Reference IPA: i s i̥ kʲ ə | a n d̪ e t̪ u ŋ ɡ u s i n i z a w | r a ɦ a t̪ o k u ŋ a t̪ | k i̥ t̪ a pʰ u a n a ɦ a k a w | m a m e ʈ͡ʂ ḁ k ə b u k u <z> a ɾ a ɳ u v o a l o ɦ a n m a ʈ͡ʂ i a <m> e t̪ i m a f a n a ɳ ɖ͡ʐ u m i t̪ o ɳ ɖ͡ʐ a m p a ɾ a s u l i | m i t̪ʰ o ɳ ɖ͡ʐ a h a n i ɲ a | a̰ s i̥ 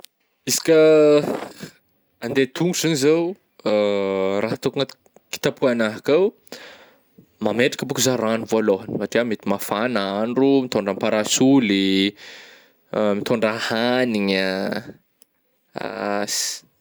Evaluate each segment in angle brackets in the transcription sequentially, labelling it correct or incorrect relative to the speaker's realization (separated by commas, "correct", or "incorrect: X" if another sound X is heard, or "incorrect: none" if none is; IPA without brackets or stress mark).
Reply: correct, correct